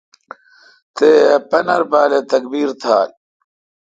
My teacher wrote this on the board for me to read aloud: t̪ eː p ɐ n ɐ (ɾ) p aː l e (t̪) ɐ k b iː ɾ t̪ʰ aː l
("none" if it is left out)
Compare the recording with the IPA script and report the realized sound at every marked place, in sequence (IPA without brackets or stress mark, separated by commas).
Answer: ɾ, t̪